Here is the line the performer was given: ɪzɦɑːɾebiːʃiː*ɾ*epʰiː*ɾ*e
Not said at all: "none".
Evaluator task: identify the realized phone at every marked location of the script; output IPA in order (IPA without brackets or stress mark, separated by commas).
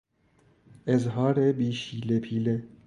l, l